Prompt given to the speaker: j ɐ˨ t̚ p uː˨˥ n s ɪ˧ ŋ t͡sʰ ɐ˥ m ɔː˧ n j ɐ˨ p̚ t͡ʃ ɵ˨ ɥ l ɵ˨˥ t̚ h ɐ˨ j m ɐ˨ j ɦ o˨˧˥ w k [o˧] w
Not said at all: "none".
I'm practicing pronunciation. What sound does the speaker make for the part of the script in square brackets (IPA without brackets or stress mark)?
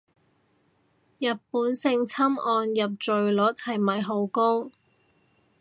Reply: o˥